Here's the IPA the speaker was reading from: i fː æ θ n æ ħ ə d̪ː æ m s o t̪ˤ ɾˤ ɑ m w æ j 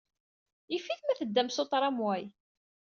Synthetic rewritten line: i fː i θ m æ θ ə d̪ː æ m s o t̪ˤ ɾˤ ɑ m w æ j